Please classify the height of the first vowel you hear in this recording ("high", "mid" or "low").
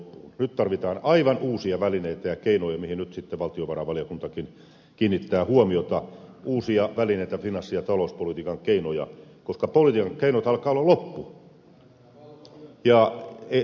high